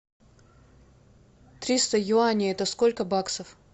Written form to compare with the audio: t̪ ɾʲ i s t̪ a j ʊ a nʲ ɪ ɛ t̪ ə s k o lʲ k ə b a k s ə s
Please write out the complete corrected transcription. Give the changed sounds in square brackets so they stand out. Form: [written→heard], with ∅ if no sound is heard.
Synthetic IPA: t̪ ɾʲ i s t̪ [a→ə] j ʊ a nʲ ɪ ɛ t̪ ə s k o lʲ k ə b a k s ə [s→f]